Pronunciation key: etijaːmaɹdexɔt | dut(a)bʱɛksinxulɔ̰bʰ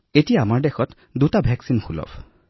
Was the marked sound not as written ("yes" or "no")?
no